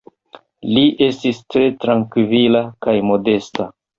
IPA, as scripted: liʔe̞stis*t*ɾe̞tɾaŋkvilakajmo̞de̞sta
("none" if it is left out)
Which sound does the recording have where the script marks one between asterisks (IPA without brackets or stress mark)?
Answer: t